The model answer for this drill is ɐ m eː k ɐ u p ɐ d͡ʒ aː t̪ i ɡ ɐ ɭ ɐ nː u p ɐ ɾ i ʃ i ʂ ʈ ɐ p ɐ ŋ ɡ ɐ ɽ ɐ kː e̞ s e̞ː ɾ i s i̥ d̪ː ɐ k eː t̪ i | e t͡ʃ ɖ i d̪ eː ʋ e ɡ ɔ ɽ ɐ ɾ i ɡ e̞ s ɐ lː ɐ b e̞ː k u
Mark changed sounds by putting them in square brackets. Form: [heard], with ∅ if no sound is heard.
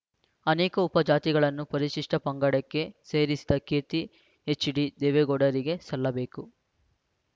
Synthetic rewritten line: ɐ [n] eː k ɐ u p ɐ d͡ʒ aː t̪ i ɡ ɐ ɭ ɐ nː u p ɐ ɾ i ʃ i ʂ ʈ ɐ p ɐ ŋ ɡ ɐ ɽ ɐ kː e̞ s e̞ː ɾ i s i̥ [d̪] ɐ k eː t̪ i | e t͡ʃ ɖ i d̪ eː ʋ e ɡ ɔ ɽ ɐ ɾ i ɡ e̞ s ɐ lː ɐ b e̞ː k u